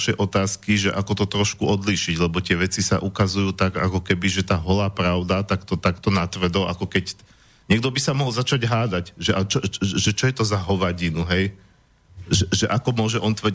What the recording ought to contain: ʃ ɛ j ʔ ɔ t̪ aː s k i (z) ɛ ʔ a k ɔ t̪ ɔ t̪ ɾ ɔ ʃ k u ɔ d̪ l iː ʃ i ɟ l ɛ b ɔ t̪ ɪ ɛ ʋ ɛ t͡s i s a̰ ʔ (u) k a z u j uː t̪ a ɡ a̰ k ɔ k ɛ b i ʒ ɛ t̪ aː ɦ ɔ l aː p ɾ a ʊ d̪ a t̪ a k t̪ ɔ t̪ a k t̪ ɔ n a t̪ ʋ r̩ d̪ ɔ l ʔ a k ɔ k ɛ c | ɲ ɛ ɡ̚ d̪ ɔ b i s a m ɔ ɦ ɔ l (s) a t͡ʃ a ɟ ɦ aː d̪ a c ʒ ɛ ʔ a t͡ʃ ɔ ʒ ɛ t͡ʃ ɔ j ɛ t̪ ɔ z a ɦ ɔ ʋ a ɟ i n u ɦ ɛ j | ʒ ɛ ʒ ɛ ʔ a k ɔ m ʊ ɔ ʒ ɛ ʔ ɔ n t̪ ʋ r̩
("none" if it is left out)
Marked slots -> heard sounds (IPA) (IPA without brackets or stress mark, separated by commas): ʒ, u, z